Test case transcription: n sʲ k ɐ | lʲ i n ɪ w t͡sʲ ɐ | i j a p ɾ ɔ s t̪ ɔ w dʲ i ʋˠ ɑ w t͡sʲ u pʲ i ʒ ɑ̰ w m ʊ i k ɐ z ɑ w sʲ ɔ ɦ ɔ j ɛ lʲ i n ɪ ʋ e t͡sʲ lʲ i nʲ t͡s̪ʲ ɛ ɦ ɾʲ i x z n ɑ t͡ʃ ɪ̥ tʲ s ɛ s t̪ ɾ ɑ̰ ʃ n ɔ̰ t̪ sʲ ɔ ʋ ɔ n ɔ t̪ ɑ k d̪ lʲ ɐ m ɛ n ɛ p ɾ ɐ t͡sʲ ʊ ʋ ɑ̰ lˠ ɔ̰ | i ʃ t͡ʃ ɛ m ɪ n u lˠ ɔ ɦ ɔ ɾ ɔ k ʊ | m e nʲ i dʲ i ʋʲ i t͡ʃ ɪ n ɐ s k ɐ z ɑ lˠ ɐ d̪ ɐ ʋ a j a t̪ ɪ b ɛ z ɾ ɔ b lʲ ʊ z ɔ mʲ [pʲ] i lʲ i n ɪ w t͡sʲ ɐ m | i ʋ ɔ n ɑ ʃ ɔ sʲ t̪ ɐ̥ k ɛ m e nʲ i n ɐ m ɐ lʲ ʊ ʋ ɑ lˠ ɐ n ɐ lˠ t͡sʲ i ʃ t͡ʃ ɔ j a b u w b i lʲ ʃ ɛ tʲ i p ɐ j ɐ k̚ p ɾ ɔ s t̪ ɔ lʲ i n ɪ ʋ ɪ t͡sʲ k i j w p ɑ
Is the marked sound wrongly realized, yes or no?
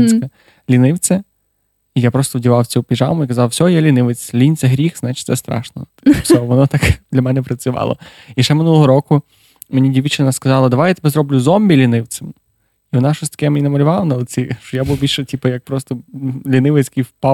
yes